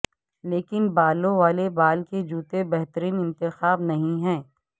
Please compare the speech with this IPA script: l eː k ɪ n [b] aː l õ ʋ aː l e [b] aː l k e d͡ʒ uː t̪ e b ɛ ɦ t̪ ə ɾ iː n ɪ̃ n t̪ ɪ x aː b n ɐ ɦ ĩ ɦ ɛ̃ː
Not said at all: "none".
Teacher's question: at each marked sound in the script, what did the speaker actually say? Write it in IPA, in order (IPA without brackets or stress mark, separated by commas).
b, b